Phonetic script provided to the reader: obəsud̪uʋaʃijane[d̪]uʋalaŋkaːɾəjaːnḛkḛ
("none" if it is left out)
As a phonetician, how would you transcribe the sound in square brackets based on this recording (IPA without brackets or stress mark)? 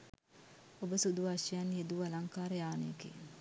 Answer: d̪